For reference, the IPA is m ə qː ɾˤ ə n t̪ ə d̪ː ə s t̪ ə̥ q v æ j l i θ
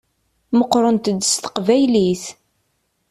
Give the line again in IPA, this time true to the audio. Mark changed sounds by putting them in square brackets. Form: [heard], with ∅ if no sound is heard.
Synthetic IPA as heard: m ə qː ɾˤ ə n t̪ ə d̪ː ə s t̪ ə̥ q v æ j l i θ